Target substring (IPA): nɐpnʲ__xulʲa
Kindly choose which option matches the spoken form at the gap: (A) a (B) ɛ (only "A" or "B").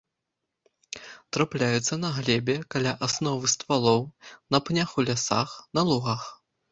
A